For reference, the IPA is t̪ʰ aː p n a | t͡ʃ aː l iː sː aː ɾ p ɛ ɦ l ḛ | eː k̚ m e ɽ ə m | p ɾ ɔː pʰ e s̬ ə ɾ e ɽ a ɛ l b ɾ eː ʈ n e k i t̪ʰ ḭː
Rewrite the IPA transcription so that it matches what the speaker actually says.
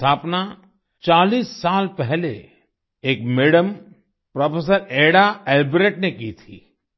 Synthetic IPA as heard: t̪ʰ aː p n a | t͡ʃ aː l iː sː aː l p ɛ ɦ l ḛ | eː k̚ m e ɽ ə m | p ɾ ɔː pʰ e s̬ ə ɾ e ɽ a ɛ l b ɾ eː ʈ n e k i t̪ʰ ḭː